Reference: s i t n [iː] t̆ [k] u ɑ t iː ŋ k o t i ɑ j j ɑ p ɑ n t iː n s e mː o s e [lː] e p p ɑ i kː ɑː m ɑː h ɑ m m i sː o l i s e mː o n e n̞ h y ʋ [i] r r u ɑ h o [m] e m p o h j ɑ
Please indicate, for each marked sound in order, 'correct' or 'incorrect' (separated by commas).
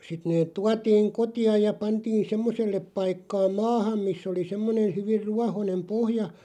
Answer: incorrect, incorrect, correct, correct, incorrect